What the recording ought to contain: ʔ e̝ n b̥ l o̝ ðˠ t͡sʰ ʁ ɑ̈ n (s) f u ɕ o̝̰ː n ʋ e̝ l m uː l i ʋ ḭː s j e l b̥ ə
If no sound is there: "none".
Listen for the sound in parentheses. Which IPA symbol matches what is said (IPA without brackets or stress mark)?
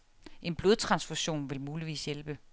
s